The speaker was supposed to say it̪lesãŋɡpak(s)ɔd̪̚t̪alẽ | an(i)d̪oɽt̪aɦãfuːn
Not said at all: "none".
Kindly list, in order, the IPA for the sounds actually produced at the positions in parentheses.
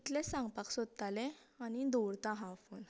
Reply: s, i

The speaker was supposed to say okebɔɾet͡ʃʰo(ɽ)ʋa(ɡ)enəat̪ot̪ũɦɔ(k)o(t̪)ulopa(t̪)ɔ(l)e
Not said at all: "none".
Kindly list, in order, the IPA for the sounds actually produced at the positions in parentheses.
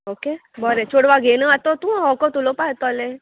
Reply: ɽ, ɡ, k, t̪, t̪, l

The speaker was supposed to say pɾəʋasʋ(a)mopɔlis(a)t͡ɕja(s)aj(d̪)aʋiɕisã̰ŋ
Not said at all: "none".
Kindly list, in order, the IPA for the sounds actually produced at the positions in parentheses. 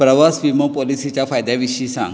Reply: i, i, f, d̪

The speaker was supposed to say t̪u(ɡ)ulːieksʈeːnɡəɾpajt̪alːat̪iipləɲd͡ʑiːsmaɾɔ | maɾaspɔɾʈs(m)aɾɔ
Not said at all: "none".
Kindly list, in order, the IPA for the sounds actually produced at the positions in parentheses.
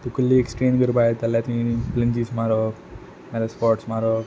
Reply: k, m

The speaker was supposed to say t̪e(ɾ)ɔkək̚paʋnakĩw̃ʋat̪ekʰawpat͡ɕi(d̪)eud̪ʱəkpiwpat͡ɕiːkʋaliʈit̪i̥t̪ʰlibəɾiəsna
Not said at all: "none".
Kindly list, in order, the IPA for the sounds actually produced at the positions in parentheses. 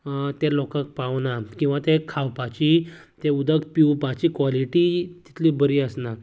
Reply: l, t̪

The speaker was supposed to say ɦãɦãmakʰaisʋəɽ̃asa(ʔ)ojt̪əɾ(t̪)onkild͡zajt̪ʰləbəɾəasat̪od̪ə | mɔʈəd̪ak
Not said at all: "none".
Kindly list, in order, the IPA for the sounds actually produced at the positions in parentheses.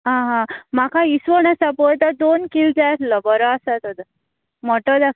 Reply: p, d̪

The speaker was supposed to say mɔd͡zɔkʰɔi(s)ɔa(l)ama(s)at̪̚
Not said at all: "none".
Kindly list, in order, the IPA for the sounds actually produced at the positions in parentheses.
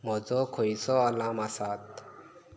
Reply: s, l, s

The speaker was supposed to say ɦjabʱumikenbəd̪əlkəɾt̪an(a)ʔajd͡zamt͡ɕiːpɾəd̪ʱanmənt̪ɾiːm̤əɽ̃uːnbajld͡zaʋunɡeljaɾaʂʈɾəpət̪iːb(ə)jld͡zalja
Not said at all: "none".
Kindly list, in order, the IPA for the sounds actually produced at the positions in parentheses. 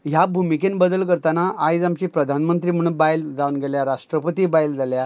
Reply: a, a

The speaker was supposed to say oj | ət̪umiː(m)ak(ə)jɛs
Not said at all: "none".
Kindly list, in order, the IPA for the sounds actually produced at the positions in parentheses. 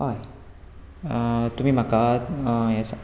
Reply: m, a

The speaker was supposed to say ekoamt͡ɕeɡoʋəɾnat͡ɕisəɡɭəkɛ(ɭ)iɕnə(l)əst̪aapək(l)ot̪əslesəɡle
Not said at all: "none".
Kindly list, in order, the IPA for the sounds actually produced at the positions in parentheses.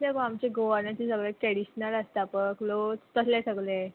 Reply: ɽ, l, l

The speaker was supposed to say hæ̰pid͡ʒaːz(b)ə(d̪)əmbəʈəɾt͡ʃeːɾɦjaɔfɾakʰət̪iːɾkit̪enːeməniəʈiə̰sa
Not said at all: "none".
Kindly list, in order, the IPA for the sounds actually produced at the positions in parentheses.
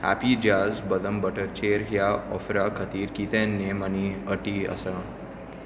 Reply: b, d̪

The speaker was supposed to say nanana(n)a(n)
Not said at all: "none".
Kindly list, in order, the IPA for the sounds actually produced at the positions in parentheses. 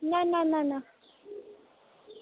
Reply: n, none

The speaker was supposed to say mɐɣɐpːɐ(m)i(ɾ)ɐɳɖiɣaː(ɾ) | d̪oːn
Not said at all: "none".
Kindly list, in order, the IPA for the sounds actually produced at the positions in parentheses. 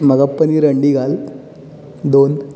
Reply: n, ɾ, l

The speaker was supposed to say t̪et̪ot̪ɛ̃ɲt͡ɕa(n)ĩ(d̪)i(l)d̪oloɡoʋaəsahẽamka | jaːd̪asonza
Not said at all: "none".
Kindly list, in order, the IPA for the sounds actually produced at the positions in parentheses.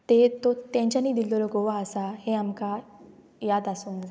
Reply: n, d̪, l

